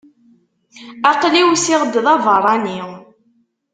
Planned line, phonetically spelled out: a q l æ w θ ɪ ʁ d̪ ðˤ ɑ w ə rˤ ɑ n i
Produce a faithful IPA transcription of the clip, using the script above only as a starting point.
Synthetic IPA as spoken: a q l i w s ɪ ʁ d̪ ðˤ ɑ v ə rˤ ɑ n i

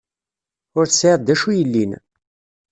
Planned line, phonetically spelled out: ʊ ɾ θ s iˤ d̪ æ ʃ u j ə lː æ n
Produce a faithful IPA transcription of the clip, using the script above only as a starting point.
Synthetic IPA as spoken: ʊ ɾ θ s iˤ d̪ æ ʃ u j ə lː i n

